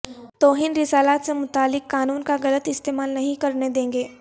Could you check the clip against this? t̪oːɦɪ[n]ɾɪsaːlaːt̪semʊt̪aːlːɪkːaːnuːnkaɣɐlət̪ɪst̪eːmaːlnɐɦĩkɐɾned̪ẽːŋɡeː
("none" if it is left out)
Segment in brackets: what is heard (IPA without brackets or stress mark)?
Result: n